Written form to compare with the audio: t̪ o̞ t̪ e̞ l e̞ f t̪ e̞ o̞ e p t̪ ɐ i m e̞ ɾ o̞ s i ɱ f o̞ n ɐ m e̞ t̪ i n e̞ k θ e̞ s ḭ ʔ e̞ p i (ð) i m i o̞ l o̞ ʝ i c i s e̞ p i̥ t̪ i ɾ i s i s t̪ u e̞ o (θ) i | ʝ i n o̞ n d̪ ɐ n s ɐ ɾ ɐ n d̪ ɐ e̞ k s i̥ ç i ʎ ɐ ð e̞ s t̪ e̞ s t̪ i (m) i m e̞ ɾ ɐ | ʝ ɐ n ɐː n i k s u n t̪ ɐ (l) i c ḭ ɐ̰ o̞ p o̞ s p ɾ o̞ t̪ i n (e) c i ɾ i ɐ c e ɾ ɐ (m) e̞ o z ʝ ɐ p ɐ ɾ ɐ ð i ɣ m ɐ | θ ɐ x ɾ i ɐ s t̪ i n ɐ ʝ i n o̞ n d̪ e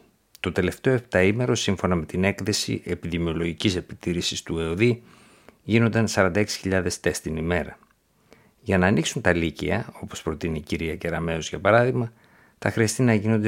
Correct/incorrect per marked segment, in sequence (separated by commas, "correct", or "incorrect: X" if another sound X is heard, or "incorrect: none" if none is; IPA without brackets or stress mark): correct, incorrect: ð, incorrect: n, correct, incorrect: i, correct